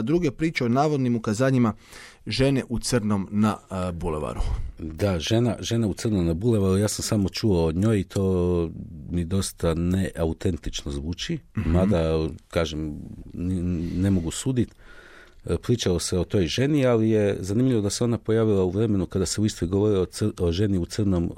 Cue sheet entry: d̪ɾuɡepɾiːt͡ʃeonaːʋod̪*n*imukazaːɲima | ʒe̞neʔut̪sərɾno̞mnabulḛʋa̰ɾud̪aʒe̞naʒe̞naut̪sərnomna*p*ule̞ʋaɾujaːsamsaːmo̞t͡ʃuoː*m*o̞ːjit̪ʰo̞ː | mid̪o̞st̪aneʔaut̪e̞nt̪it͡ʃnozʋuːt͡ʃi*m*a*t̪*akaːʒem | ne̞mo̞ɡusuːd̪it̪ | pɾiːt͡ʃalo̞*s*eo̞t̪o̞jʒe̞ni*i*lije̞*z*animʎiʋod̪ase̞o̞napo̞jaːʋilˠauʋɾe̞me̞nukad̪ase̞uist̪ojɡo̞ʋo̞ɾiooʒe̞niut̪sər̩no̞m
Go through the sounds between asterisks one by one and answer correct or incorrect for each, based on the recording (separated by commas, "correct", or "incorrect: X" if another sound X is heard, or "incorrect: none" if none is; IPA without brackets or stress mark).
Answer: correct, incorrect: b, incorrect: ɲ, correct, incorrect: d̪, correct, incorrect: a, correct